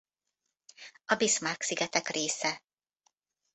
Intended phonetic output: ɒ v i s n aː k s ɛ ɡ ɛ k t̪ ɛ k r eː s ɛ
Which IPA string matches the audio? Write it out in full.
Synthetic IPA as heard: ɒ b i s m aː k s i ɡ ɛ t̪ ɛ k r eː s ɛ

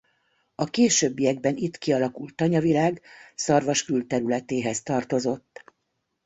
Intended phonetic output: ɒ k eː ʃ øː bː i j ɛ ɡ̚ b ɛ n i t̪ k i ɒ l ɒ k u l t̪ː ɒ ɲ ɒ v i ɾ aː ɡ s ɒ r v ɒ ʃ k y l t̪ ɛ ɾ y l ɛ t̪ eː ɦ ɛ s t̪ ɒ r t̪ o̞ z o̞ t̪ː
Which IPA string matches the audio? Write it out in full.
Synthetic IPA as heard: ɒ k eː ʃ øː bː i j ɛ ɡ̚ b ɛ n i t̪ k i ɒ l ɒ k u l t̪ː ɒ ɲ ɒ v i l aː ɡ s ɒ r v ɒ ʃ k y l t̪ ɛ ɾ y l ɛ t̪ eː ɦ ɛ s t̪ ɒ r t̪ o̞ z o̞ t̪ː

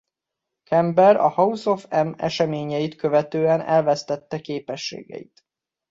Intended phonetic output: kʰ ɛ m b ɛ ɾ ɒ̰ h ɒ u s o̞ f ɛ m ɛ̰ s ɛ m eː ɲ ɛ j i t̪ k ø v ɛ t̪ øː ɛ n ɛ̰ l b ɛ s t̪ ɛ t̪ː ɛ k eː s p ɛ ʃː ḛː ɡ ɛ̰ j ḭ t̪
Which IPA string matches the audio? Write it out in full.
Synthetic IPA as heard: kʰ ɛ m b ɛ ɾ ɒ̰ h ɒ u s o̞ f ɛ m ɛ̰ ʃ ɛ m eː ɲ ɛ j i t̪ k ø v ɛ t̪ øː ɛ n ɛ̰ l v ɛ s t̪ ɛ t̪ː ɛ k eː p ɛ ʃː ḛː ɡ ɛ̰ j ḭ t̪

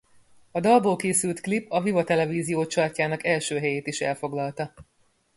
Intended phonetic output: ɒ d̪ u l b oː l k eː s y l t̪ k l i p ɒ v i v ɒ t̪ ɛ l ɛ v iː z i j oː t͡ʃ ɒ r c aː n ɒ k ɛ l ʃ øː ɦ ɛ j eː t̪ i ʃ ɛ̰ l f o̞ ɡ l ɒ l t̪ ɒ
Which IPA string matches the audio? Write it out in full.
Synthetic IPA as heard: ɒ d̪ ɒ l b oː l k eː s y l t̪ k l i p ɒ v i v ɒ t̪ ɛ l ɛ v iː z i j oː t͡ʃ ɒ r c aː n ɒ k ɛ l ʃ øː ɦ ɛ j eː t̪ i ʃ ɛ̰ l f o̞ ɡ l ɒ l t̪ ɒ

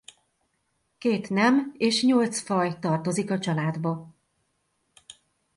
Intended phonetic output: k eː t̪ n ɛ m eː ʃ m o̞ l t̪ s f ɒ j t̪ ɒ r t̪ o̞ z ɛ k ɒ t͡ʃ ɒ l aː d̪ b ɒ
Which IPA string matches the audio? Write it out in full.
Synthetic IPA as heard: k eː t̪ n ɛ m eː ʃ ɲ o̞ l t̪ s f ɒ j t̪ ɒ r t̪ o̞ z i k ɒ t͡ʃ ɒ l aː d̪ b ɒ

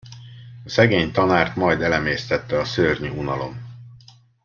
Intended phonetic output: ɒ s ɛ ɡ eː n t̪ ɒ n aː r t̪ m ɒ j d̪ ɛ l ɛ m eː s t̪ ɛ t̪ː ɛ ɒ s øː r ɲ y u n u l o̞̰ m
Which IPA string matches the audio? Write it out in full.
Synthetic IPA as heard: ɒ s ɛ ɡ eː ɲ t̪ ɒ n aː r t̪ m ɒ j d̪ ɛ l ɛ m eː s t̪ ɛ t̪ː ɛ ɒ s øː r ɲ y u n ɒ l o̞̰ m

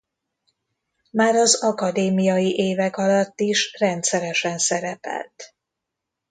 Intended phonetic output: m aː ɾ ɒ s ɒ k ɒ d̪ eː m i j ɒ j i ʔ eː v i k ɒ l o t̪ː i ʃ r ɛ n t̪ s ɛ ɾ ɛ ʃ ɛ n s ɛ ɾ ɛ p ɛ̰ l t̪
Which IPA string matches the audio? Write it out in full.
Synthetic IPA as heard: m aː ɾ ɒ z ɒ k ɒ d̪ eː m i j ɒ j i ʔ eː v ɛ k ɒ l ɒ t̪ː i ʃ r ɛ n t̪ s ɛ ɾ ɛ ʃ ɛ n s ɛ ɾ ɛ p ɛ̰ l t̪

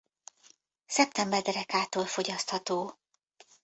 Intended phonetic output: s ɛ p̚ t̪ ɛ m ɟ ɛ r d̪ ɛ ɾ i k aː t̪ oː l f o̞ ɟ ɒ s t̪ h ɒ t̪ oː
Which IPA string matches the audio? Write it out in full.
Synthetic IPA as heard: s ɛ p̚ t̪ ɛ m b ɛ r d̪ ɛ ɾ ɛ k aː t̪ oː l f o̞ ɟ ɒ s t̪ h ɒ t̪ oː

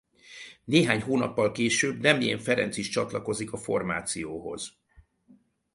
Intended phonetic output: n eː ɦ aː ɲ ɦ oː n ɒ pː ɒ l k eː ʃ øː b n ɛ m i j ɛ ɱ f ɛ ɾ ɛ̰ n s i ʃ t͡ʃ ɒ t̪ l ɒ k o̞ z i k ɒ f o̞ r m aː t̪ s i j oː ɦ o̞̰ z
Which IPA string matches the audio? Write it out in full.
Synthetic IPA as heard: n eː ɦ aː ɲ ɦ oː n ɒ pː ɒ l k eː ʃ øː b n ɛ m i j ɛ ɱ f ɛ ɾ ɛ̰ n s i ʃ t͡ʃ ɒ t̪ l ɒ k o̞ z i k ɒ f o̞ r m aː t̪ s i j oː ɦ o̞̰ z

